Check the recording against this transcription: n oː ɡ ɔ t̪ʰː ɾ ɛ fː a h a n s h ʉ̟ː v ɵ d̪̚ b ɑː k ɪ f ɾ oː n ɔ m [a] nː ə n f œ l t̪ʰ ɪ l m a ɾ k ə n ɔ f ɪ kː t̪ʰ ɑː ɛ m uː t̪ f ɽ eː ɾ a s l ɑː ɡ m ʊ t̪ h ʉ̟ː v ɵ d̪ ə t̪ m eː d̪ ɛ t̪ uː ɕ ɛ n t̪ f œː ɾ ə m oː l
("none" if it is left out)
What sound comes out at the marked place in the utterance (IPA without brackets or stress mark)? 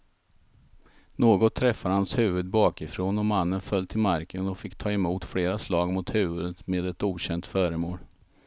a